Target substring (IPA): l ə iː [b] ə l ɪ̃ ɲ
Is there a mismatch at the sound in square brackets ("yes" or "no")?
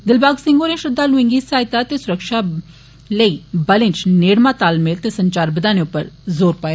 no